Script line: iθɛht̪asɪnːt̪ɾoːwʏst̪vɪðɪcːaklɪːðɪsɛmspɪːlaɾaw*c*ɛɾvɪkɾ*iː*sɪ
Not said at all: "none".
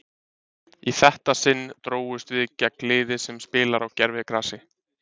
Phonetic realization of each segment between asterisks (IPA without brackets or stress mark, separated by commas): c, aː